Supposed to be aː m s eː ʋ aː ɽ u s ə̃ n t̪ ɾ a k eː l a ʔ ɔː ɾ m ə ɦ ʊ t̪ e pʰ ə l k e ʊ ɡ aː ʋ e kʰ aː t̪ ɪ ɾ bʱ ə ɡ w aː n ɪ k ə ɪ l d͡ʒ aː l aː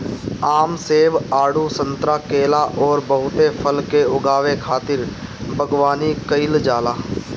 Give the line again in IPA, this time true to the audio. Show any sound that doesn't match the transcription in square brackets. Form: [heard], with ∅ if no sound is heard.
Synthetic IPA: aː m s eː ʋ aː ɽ u s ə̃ n t̪ ɾ a k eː l a ʔ ɔː ɾ [b] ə ɦ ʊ t̪ e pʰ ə l k e ʊ ɡ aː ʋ e kʰ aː t̪ ɪ ɾ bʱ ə ɡ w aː n [i] k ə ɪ l d͡ʒ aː l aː